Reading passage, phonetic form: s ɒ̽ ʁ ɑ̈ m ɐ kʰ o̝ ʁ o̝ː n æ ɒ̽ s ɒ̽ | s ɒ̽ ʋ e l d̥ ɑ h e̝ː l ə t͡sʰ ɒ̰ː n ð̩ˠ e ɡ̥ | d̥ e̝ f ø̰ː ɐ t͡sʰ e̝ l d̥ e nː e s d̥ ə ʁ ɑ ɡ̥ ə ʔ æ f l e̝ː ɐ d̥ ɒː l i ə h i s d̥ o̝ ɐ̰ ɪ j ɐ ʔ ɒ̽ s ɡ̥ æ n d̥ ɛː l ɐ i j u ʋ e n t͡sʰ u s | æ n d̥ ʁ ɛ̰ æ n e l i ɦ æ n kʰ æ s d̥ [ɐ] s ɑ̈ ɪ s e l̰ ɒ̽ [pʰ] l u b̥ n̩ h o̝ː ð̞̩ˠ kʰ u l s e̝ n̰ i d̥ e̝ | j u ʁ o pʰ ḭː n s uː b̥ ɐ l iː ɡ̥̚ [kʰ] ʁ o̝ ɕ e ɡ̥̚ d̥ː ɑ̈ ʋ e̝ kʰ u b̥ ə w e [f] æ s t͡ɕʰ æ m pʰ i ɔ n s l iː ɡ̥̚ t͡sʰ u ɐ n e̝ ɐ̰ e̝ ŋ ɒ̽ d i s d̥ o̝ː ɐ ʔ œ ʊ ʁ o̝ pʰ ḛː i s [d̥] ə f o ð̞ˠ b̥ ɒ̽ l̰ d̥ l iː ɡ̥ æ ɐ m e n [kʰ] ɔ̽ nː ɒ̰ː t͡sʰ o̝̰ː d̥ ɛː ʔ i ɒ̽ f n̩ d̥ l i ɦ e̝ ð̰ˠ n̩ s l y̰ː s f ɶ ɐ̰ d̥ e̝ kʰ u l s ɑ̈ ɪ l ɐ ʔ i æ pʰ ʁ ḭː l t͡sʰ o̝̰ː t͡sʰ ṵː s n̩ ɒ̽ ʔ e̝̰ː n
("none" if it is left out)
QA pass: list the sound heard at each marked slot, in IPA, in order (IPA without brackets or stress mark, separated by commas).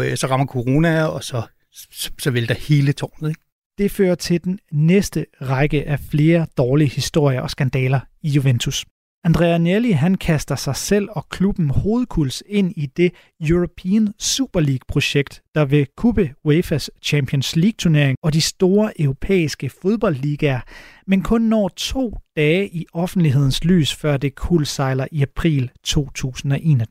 ɐ, kʰ, pʰ, f, ɡ̥, kʰ